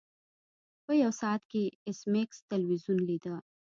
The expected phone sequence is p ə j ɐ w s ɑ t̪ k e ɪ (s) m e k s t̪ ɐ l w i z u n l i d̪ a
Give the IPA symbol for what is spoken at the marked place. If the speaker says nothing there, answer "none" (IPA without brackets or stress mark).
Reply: s